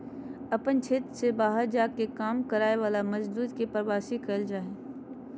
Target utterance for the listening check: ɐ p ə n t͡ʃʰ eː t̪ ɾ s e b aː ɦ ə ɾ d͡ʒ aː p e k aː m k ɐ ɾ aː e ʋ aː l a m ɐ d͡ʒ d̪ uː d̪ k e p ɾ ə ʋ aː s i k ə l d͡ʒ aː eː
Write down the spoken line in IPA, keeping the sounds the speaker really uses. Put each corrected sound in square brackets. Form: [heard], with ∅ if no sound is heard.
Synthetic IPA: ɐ p ə n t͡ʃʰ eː t̪ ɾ s e b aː ɦ ə ɾ d͡ʒ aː [k] e k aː m k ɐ ɾ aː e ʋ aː l a m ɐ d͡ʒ d̪ uː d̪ k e p ɾ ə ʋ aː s i k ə l d͡ʒ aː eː